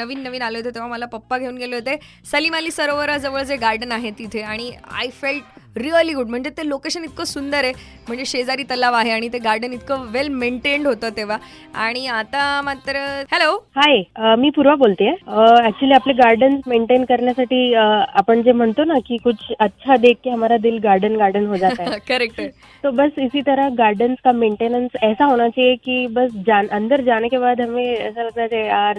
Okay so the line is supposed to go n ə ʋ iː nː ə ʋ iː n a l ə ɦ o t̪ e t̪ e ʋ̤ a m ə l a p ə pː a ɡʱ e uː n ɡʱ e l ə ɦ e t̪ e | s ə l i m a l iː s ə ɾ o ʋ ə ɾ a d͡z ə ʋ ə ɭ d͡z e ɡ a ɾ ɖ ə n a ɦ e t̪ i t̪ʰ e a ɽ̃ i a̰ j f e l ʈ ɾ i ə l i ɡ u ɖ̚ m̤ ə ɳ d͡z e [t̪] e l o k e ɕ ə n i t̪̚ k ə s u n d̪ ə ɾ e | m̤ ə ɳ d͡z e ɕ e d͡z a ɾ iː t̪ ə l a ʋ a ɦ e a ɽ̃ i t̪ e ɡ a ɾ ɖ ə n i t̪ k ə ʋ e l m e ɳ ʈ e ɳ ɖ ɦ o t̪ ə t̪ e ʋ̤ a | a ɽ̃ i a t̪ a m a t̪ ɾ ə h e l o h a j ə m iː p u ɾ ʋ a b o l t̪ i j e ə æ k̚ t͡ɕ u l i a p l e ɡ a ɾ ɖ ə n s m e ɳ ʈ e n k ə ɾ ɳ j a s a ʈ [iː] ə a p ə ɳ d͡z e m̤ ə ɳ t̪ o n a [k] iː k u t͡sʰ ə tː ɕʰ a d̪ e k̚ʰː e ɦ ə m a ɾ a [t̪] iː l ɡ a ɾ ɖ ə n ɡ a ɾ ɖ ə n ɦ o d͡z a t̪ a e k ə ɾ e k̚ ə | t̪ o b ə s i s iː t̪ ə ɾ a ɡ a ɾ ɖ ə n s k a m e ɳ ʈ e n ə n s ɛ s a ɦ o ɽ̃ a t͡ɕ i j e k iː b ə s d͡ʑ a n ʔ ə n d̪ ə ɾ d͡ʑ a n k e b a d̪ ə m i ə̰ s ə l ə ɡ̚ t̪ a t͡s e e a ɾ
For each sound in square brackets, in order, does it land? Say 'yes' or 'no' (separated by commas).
yes, yes, yes, no